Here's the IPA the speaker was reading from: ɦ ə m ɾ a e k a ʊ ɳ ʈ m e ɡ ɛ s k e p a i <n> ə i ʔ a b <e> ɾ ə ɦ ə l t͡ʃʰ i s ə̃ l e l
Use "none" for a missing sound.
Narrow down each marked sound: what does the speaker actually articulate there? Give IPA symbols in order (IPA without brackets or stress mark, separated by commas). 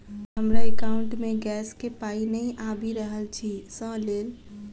n, i